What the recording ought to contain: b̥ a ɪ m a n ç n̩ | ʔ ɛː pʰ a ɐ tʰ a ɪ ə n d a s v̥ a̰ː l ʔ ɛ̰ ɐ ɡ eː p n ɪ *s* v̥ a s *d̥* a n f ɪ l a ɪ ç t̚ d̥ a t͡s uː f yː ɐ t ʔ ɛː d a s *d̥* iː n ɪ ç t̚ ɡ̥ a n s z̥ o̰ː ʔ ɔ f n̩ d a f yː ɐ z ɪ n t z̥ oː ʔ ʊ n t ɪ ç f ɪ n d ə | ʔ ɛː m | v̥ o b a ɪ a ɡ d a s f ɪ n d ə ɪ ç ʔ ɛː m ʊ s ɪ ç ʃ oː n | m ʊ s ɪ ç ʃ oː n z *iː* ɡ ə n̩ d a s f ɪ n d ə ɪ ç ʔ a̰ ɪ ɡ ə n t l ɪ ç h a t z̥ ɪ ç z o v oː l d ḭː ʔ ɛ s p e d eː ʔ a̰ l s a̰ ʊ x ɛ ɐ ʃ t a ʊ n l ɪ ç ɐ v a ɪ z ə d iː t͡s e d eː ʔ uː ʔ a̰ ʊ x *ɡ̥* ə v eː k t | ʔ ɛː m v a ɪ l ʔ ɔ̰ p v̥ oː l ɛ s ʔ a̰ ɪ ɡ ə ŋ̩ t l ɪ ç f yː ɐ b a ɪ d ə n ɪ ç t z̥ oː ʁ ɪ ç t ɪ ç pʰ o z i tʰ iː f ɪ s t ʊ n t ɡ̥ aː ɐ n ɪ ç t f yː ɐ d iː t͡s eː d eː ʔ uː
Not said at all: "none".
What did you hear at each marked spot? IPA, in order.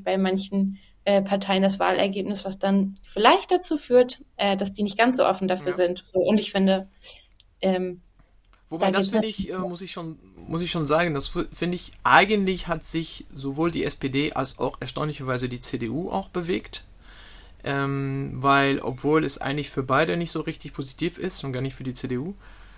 s, d̥, d̥, aː, b̥

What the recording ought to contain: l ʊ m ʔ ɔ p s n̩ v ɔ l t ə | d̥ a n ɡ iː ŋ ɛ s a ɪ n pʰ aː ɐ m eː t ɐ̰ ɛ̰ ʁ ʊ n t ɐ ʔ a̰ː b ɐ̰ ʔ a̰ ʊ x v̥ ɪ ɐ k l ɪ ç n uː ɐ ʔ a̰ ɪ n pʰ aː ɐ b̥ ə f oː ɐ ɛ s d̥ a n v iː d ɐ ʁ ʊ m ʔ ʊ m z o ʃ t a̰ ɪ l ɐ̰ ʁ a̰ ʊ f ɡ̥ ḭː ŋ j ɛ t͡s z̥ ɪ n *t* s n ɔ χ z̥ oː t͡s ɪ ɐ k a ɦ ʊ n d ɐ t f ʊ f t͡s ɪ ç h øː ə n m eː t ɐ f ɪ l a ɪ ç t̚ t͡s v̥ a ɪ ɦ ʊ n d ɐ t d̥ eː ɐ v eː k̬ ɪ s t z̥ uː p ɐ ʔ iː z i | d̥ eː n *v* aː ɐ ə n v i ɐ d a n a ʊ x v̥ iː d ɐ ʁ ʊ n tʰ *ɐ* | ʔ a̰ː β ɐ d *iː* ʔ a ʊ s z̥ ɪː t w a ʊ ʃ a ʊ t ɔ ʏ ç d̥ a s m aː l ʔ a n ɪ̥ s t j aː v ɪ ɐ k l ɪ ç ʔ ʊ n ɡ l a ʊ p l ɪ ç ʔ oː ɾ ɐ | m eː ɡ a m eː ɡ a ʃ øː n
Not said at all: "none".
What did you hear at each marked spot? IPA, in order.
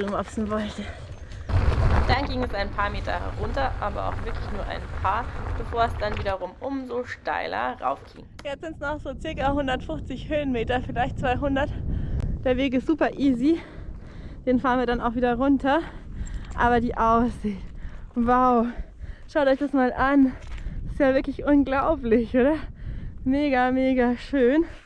t, f, ɐ, iː

